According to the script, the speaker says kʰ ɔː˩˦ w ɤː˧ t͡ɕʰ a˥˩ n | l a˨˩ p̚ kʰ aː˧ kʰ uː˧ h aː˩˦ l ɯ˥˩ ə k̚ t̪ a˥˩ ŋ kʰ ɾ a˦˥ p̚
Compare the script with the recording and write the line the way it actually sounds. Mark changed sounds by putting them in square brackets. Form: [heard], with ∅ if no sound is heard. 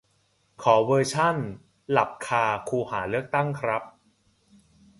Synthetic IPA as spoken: kʰ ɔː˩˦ w ɤː˧ t͡ɕʰ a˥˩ n | l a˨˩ p̚ kʰ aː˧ kʰ uː˧ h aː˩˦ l ɯ˥˩ ə k̚ t̪ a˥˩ ŋ kʰ ɾ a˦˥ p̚